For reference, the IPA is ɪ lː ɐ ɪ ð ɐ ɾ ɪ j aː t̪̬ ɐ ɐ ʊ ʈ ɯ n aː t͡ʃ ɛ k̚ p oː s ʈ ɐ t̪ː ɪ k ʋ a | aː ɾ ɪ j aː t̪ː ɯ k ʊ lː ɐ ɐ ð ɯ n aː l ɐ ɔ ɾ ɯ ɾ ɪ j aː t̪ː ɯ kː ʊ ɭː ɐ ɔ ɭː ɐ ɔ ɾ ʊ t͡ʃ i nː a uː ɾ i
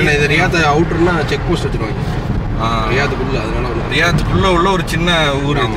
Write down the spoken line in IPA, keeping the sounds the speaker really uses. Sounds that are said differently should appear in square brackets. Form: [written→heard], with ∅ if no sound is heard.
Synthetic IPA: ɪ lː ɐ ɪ ð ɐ ɾ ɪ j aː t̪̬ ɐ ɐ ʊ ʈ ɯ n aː t͡ʃ ɛ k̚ p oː s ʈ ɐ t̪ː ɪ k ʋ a | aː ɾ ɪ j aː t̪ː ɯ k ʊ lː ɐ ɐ ð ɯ n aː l ɐ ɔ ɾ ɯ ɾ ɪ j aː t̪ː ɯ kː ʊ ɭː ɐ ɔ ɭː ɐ ɔ ɾ [ʊ→ɯ] t͡ʃ [i→ɪ] nː [a→ɐ] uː ɾ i